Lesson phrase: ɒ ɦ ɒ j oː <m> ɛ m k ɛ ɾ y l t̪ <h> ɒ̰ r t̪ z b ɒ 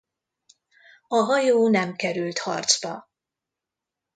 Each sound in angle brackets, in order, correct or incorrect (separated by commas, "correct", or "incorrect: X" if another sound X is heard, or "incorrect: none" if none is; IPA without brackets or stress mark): incorrect: n, correct